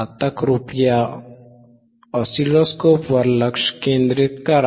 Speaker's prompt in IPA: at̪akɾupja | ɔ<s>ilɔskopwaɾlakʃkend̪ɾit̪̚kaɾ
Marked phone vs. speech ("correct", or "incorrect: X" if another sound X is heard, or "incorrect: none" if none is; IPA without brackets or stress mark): correct